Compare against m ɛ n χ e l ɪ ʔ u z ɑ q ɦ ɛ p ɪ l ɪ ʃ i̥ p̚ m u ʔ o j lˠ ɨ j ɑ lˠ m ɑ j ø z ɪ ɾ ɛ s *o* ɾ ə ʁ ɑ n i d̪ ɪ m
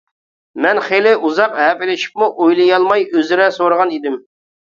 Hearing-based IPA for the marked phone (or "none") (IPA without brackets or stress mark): o